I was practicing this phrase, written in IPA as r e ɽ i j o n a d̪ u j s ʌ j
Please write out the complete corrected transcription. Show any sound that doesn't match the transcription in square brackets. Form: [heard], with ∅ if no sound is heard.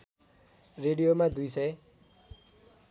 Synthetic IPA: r e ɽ i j o [m] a d̪ u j s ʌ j